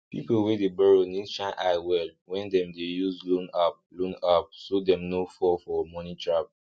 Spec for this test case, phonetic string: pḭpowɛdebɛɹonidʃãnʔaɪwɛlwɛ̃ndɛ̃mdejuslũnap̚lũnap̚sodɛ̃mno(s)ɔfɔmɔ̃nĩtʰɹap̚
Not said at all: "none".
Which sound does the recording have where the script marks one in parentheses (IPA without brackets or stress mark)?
f